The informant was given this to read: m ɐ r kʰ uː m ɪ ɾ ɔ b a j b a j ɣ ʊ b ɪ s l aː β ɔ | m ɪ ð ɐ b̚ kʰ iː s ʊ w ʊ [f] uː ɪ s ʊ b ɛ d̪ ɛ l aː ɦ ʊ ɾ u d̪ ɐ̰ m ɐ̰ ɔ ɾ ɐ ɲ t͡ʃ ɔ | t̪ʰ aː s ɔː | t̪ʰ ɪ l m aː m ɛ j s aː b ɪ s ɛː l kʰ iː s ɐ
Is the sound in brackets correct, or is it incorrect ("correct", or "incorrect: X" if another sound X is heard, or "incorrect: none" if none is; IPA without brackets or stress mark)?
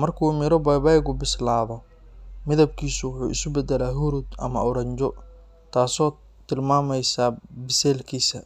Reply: incorrect: ħ